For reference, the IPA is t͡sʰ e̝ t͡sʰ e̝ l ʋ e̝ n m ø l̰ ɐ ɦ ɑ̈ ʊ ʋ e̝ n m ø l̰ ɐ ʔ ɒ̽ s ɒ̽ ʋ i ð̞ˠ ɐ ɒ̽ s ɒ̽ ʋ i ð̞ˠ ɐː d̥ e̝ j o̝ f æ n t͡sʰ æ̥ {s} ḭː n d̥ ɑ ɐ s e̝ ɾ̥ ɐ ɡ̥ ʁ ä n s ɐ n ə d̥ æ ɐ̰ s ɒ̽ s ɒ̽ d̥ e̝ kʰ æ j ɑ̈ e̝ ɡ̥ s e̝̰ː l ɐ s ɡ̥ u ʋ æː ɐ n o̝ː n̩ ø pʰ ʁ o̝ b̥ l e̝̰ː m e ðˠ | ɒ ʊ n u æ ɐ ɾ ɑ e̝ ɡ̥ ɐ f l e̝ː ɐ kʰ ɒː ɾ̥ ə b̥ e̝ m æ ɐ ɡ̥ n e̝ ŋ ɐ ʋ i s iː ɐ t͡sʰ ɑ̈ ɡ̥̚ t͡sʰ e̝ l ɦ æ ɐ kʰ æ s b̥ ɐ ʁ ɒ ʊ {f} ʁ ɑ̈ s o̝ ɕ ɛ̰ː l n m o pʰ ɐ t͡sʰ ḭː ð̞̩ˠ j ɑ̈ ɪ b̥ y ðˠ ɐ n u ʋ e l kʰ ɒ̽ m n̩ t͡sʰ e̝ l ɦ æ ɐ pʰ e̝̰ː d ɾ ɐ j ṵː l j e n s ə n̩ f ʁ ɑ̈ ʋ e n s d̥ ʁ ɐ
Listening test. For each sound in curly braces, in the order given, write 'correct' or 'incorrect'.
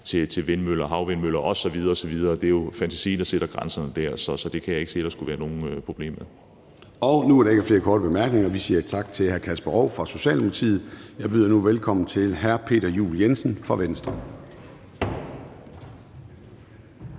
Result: correct, correct

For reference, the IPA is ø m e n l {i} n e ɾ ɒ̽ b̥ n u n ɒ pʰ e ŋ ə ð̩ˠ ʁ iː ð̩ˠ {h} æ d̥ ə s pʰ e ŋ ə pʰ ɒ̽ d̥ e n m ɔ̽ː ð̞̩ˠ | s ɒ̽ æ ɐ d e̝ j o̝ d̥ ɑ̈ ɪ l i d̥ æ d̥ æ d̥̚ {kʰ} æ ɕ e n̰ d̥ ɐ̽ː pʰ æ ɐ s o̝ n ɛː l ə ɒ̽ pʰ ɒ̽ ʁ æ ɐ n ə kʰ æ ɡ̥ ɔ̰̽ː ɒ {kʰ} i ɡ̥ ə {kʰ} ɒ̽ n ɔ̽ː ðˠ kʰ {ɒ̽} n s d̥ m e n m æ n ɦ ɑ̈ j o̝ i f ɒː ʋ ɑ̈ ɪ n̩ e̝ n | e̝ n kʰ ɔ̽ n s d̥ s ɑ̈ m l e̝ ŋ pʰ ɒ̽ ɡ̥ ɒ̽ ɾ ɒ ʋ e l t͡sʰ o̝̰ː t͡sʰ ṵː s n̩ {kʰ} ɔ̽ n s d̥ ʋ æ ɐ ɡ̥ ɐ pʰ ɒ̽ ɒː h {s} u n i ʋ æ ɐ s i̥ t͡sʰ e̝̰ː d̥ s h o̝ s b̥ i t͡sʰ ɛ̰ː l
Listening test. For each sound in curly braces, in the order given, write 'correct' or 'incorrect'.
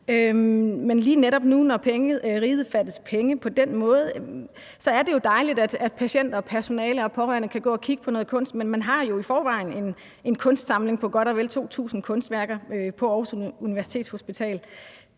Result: incorrect: iː, incorrect: f, incorrect: pʰ, correct, incorrect: pʰ, incorrect: ɔ̽, correct, correct

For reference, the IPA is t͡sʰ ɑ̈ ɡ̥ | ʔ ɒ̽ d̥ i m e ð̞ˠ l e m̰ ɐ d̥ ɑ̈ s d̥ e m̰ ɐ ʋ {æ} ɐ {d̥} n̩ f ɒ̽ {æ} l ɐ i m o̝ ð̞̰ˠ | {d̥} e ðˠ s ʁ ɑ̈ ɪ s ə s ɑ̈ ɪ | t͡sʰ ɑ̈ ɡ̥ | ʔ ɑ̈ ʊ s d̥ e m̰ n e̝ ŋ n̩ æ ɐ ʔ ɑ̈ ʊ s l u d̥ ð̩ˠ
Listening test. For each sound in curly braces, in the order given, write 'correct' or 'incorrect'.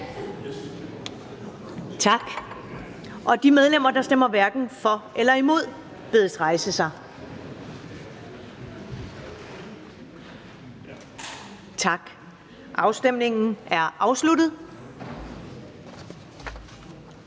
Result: correct, incorrect: ɡ̥, incorrect: e, incorrect: b̥

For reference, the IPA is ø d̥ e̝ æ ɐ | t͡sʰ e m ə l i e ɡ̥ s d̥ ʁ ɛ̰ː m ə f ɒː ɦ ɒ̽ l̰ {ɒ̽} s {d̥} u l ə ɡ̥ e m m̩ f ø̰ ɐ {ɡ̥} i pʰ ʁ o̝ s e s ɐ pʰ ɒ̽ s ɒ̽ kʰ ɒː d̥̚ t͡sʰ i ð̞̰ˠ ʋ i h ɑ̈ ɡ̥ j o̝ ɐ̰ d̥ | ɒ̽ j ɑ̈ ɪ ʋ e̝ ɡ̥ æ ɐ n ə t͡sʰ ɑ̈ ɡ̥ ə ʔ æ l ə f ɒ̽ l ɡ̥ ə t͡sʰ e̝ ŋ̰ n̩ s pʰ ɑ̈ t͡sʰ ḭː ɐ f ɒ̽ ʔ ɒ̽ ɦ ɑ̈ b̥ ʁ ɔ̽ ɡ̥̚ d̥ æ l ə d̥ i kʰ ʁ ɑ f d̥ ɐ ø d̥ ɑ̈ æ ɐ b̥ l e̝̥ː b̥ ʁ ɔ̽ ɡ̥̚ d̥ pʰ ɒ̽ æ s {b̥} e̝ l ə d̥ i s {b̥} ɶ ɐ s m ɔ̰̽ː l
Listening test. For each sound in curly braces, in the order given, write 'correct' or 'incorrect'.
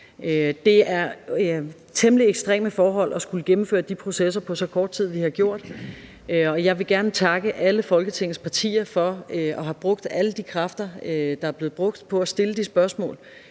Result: correct, incorrect: ɡ̥, incorrect: d̥, incorrect: d̥, correct

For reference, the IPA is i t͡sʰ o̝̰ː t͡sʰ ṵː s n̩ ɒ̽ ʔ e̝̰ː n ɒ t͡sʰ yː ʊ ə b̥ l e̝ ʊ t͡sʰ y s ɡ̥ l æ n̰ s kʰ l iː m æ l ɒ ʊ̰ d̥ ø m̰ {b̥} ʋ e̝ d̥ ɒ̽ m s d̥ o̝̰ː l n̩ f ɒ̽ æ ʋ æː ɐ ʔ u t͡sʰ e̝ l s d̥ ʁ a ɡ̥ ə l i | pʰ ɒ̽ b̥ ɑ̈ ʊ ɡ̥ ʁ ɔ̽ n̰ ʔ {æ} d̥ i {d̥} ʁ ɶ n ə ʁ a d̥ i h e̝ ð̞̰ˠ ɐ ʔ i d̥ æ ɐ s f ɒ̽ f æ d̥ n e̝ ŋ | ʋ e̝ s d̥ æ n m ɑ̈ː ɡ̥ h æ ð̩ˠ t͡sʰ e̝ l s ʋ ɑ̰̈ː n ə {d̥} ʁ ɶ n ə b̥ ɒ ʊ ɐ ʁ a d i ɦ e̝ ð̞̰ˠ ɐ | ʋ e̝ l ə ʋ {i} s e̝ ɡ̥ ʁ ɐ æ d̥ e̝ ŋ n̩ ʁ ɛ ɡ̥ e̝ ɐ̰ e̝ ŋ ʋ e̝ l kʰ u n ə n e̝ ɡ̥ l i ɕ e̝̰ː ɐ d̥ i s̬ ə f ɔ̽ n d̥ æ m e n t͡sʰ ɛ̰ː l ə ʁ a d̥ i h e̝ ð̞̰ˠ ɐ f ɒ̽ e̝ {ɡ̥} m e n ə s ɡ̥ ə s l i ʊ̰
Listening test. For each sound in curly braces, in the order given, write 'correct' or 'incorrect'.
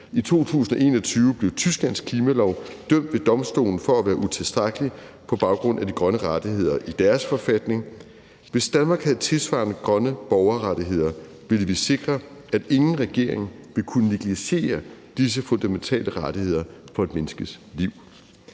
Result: incorrect: d̥, correct, incorrect: ɡ̥, incorrect: ɡ̥, correct, incorrect: d̥

